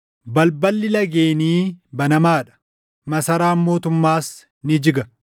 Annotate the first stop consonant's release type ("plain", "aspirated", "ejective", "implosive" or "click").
plain